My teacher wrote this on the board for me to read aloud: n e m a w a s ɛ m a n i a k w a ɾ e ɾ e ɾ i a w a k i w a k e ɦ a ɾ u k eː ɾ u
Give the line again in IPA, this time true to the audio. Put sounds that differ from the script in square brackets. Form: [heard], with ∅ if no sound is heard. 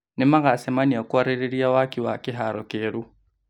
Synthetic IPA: n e m a [ɣ] a s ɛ m a n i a k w a ɾ e ɾ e ɾ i a w a k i w a k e ɦ a ɾ [ɔ] k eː ɾ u

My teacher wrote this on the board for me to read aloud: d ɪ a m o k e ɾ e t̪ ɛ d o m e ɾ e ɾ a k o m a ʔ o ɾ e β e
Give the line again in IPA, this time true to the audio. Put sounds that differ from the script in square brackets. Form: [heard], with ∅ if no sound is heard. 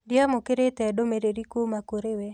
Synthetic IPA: d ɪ a m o k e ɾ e t̪ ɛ d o m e ɾ e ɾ [i] k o m a [k] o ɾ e [w] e

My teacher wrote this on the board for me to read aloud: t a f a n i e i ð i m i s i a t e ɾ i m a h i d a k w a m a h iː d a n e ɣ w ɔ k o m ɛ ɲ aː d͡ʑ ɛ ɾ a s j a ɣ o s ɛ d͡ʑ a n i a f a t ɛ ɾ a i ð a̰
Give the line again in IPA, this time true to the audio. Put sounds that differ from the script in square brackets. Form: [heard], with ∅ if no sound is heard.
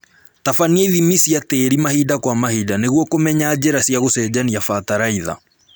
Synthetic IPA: t a f a n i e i ð i m i s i a t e ɾ i m a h i d a k w a m a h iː d a n e ɣ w ɔ k o m ɛ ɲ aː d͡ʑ ɛ ɾ a s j a ɣ o s ɛ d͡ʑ a n i a f a t [a] ɾ a i ð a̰

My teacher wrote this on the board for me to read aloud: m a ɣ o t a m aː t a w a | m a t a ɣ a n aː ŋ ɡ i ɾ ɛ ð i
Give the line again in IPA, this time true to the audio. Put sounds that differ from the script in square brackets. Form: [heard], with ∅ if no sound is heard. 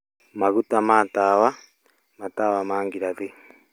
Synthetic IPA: m a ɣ [u] t a m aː t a w a | m a t a [w] a [m] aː ŋ ɡ i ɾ [a] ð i

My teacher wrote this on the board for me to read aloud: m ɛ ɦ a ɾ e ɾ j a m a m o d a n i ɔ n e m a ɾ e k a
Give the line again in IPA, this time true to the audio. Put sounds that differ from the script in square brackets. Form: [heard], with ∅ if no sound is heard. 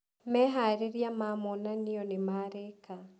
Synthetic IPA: m ɛ ɦ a ɾ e ɾ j a m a m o [n] a n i ɔ n e m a ɾ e k a

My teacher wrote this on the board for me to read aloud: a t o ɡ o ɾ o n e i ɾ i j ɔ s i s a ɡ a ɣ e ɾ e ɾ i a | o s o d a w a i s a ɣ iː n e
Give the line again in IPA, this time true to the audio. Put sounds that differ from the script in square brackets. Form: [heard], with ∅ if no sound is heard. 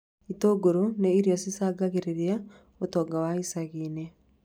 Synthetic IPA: [i] t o ɡ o ɾ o n e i ɾ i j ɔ s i s a ɡ a ɣ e ɾ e ɾ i a | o [t] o [ɡ] a w a i s a ɣ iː n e

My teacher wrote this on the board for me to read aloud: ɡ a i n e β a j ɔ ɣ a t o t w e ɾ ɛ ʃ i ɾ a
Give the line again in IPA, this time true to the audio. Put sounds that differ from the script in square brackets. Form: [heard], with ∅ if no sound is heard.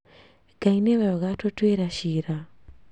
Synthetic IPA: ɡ a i n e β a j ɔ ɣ a t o t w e ɾ [a] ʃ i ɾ a

